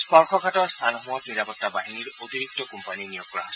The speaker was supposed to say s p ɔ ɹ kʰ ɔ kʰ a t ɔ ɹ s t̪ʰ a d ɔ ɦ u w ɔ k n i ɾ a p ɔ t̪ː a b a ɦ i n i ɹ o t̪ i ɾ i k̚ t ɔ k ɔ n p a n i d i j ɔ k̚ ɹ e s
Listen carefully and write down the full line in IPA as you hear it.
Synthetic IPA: s p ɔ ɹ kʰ ɔ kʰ a t ɔ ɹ s t̪ʰ a n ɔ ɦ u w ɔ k n i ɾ a p ɔ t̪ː a b a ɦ i n i ɹ o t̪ i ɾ i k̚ t ɔ k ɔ m p a n i n i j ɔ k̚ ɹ a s